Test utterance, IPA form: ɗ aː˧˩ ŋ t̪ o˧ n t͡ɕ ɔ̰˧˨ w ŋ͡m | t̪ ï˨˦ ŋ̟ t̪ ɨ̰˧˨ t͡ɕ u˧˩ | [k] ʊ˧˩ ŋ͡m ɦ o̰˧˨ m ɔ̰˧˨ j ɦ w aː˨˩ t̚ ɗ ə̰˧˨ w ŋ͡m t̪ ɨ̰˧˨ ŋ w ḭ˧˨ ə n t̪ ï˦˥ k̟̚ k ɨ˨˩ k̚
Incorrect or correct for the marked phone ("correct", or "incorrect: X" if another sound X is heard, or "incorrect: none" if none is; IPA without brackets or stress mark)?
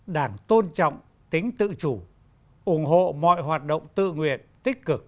incorrect: ʔ